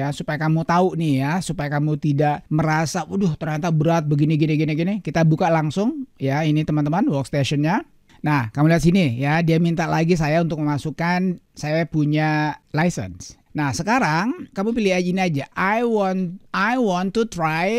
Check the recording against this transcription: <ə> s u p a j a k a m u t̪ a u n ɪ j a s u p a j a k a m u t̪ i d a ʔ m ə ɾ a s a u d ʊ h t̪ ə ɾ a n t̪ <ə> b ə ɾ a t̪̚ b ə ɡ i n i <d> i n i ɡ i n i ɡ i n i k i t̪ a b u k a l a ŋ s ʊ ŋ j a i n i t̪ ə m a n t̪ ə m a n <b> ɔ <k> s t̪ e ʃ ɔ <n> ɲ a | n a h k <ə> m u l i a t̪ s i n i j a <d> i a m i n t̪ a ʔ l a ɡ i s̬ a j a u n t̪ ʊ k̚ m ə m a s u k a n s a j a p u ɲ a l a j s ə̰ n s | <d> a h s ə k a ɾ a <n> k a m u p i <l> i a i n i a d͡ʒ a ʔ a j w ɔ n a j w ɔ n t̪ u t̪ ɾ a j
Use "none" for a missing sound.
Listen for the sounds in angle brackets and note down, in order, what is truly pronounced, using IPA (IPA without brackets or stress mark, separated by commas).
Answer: a, a, ɡ, w, k, n, a, d, n, ŋ, l